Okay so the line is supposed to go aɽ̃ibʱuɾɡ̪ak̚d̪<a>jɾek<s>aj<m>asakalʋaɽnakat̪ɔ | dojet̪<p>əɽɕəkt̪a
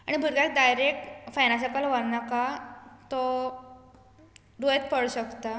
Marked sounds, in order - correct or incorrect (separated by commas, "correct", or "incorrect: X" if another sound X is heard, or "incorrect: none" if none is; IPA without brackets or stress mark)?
correct, incorrect: f, incorrect: n, correct